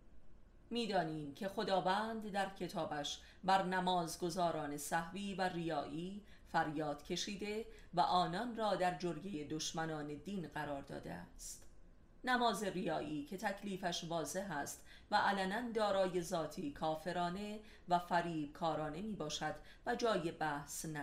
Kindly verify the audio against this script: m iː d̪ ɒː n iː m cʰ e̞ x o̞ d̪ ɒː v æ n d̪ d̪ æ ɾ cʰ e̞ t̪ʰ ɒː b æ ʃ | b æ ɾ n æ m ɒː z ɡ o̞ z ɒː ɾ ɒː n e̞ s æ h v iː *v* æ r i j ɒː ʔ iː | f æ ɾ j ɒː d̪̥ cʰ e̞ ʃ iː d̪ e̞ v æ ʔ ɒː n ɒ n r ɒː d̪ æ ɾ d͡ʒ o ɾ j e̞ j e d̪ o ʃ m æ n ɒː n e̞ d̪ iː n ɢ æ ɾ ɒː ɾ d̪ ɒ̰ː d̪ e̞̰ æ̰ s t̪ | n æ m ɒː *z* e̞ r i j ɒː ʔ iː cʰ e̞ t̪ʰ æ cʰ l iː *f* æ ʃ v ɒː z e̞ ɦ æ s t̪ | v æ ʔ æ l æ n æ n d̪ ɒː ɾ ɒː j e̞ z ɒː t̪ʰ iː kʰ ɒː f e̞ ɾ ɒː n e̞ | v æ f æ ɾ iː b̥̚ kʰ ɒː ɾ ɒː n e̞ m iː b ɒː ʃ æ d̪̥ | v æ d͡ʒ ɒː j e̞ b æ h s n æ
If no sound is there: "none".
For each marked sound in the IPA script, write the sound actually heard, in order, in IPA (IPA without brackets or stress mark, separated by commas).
v, z, f